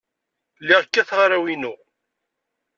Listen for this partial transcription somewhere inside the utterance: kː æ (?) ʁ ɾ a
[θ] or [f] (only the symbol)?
θ